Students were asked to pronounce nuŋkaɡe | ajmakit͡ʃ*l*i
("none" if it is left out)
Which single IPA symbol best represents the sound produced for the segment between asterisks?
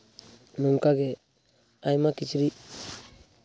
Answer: ɾ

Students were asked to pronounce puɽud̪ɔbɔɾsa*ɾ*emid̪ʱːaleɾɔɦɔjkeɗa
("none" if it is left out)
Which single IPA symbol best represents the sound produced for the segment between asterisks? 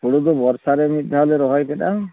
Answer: ɾ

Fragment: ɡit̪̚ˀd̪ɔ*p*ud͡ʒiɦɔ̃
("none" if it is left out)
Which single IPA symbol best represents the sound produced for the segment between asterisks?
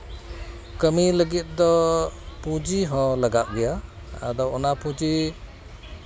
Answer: p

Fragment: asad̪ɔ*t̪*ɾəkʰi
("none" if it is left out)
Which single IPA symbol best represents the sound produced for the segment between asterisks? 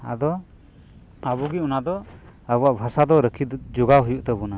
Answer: none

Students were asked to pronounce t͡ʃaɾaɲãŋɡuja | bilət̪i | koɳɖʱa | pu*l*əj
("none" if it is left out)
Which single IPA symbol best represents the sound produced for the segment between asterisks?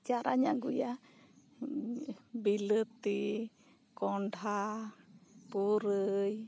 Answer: ɾ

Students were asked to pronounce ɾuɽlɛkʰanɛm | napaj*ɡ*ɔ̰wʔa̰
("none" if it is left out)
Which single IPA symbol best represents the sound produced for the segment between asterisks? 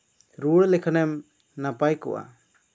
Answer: k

